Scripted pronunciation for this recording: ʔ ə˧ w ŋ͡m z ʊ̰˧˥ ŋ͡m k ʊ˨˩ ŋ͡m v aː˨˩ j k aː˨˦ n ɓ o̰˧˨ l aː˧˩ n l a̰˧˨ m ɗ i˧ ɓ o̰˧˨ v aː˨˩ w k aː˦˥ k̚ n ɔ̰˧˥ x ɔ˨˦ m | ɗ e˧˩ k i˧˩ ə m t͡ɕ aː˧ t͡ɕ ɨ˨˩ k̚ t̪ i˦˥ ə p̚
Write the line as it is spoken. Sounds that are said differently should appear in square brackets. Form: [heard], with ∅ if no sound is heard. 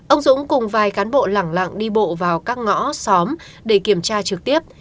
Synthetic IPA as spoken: ʔ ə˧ w ŋ͡m z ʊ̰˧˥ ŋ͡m k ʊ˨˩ ŋ͡m v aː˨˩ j k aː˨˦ n ɓ o̰˧˨ l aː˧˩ [ŋ] l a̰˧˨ [ŋ] ɗ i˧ ɓ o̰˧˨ v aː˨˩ w k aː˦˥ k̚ [ŋ] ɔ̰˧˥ [s] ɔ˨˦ m | ɗ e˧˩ k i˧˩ ə m t͡ɕ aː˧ t͡ɕ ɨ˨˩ k̚ t̪ i˦˥ ə p̚